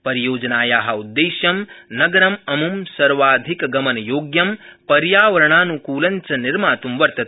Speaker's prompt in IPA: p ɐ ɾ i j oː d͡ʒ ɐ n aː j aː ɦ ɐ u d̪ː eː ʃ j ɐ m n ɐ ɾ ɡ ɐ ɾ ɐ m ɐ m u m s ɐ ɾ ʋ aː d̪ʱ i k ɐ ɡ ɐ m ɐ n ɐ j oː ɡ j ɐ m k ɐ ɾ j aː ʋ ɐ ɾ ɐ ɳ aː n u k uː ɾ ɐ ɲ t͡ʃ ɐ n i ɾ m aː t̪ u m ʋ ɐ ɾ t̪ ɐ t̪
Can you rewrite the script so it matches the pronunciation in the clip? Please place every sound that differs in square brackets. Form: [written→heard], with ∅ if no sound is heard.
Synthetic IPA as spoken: p ɐ ɾ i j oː d͡ʒ ɐ n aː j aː ɦ ɐ u d̪ː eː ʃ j ɐ m n ɐ [ɾ→∅] ɡ ɐ ɾ ɐ m ɐ m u m s ɐ ɾ ʋ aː d̪ʱ i k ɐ ɡ ɐ m ɐ n ɐ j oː ɡ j ɐ m [k→p] ɐ ɾ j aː ʋ ɐ ɾ ɐ ɳ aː n u k uː [ɾ→l] ɐ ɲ t͡ʃ ɐ n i ɾ m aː t̪ u m ʋ ɐ ɾ t̪ ɐ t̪